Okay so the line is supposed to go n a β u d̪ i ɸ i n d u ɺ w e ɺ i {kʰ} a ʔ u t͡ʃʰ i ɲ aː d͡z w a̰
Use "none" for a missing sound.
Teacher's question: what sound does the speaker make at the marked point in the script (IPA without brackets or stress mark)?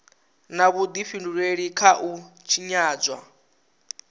kʰ